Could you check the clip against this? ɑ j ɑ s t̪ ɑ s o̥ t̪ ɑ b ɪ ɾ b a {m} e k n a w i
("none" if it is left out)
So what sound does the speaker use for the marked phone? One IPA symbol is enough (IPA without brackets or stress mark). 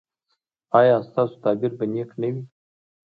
n